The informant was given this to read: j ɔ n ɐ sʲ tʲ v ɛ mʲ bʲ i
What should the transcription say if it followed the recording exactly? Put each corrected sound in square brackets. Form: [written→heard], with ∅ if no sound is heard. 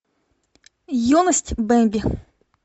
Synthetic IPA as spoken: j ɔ n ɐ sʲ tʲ [v→b] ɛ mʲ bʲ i